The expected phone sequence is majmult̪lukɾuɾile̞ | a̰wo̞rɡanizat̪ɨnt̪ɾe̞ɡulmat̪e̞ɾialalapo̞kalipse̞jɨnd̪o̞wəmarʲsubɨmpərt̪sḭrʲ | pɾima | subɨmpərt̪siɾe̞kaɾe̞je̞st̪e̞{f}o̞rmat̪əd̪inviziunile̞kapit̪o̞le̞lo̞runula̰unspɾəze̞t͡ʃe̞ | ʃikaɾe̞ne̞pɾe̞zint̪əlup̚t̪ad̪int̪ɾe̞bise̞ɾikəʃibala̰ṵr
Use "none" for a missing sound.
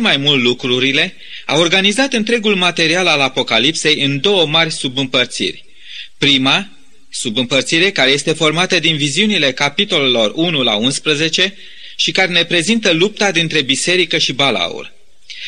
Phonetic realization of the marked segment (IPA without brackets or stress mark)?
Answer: f